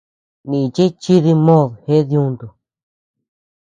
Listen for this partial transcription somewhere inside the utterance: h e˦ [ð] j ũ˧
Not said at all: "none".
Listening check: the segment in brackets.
ð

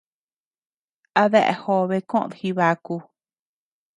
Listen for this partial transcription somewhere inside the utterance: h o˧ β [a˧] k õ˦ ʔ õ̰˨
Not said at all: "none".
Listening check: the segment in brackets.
e˧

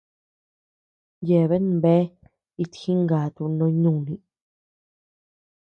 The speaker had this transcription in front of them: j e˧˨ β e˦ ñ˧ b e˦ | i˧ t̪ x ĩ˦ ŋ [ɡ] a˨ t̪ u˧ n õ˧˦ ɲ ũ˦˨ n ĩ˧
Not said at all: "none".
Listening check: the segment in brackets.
ɡ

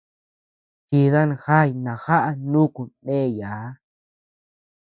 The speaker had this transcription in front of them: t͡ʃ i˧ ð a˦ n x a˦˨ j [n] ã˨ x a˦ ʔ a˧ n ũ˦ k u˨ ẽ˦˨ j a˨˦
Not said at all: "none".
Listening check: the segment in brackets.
n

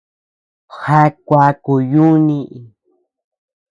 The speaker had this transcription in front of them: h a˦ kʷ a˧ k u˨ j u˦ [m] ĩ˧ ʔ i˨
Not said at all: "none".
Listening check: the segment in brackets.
n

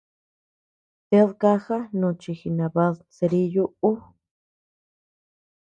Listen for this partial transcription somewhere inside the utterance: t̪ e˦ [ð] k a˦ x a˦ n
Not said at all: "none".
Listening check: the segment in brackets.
ð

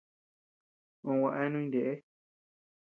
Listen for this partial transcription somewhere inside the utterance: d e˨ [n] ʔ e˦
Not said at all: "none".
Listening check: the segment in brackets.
none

